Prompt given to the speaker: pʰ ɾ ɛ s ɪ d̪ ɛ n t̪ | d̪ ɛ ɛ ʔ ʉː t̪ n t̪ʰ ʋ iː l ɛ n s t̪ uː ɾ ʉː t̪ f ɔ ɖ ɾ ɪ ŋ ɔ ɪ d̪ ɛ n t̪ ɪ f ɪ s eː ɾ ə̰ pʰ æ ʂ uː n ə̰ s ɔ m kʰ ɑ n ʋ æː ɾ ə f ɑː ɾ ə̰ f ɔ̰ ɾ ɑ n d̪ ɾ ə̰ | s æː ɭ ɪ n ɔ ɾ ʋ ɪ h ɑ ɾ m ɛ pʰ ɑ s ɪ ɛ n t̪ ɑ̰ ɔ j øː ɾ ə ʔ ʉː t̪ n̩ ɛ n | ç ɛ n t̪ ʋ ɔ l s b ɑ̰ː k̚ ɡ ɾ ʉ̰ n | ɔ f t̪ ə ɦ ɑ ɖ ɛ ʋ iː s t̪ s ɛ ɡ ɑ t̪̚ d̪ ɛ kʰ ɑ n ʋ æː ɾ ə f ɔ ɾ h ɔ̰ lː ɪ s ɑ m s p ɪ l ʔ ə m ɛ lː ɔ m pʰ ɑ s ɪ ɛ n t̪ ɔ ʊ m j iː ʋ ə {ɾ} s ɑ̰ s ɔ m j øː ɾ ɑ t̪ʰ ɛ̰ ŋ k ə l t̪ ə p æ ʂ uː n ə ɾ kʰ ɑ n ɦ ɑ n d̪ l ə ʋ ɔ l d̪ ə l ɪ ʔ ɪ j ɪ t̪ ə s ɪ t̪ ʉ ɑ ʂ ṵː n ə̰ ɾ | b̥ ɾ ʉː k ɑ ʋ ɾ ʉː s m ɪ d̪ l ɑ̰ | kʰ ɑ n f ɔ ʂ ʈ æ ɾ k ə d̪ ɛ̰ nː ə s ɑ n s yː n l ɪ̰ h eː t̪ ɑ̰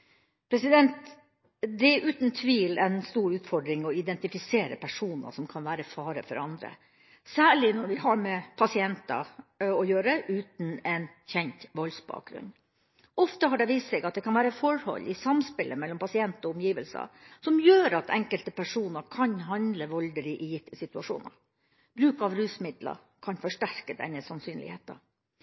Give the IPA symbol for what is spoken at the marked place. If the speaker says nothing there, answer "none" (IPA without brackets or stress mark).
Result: l